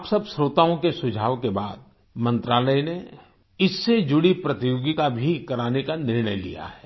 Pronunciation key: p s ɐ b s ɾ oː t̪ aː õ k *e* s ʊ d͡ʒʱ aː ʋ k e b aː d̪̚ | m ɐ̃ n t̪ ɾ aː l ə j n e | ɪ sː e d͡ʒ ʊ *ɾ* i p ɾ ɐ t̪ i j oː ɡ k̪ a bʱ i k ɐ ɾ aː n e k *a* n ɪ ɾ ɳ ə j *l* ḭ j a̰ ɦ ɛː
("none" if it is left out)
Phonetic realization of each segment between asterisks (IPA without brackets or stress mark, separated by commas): e, ɽ, a, l